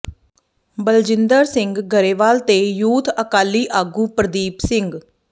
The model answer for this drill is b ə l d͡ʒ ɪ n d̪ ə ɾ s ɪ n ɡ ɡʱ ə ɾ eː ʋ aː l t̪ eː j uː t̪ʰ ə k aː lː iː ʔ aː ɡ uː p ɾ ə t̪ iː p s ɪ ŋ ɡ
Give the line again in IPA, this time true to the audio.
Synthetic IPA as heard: b ə l d͡ʒ ɪ n d̪ ə ɾ s ɪ ŋ ɡ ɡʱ ə ɾ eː ʋ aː l t̪ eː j uː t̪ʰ ə k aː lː iː ʔ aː ɡ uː p ɾ ə d̪ iː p s ɪ ŋ ɡ